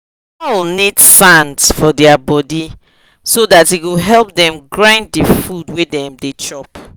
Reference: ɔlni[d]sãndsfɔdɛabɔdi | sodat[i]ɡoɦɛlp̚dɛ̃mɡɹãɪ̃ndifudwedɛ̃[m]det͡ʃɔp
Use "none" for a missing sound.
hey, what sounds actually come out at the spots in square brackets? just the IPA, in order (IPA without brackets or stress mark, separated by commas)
d, i, m